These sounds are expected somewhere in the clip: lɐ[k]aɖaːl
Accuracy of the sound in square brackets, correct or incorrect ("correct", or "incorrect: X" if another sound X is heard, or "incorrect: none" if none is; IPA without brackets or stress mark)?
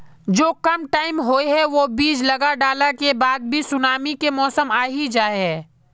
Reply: incorrect: ɡ